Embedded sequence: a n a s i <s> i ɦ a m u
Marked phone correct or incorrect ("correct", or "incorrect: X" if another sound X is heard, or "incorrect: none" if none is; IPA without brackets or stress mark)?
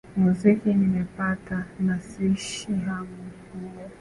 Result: incorrect: ʃ